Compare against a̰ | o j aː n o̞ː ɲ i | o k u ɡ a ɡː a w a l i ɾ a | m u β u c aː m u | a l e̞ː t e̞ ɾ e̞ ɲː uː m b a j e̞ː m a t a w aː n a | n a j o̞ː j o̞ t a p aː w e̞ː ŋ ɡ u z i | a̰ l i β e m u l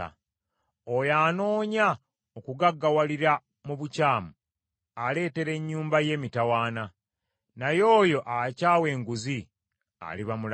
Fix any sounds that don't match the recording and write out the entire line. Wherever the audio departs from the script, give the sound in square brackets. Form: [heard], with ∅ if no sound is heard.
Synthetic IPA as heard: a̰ | o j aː n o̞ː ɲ [a] | o k u ɡ a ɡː a w a l i ɾ a | m u β u c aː m u | a l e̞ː t e̞ ɾ e̞ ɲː uː m b a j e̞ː m [i] t a w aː n a | n a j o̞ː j o̞ [ʔ] a [c] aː w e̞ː ŋ ɡ u z i | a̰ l i β [a] m u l